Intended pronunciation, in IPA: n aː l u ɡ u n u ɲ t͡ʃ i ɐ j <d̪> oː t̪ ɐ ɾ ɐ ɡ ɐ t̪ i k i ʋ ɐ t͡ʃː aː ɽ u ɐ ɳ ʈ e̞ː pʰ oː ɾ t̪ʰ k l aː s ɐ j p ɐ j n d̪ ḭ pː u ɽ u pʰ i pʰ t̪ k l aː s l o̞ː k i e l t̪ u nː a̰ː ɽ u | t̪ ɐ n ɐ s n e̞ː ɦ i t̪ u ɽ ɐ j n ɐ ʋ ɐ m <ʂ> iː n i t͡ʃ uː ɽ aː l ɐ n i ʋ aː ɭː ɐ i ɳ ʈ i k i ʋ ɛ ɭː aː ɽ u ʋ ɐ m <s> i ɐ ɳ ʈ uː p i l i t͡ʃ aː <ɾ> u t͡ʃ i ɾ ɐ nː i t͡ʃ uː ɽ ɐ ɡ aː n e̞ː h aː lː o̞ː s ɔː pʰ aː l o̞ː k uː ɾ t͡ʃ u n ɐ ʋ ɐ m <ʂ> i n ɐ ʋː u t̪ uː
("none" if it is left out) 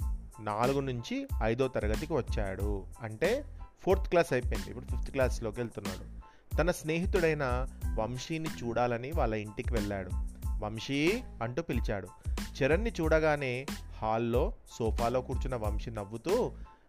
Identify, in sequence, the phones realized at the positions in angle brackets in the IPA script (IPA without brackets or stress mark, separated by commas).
d̪, ʂ, ʂ, ɽ, ʂ